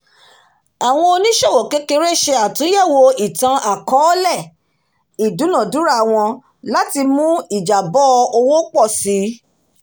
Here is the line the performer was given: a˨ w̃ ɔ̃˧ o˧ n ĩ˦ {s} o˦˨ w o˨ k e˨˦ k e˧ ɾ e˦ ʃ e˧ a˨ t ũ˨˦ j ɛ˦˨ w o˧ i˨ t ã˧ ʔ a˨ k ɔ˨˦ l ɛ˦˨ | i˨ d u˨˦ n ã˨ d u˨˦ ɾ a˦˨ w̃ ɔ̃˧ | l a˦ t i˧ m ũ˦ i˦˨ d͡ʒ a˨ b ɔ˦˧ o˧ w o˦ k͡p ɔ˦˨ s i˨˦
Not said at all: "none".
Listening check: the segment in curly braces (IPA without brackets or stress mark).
ʃ